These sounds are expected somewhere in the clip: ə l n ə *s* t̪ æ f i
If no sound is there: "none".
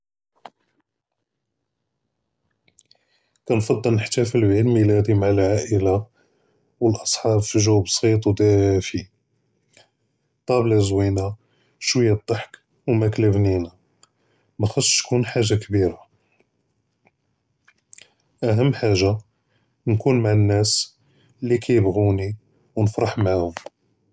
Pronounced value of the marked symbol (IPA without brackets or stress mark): ħ